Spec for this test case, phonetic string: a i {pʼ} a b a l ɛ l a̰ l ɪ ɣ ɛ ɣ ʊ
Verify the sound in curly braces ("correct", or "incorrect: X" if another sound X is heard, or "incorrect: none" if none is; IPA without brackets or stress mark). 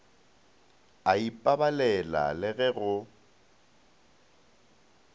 correct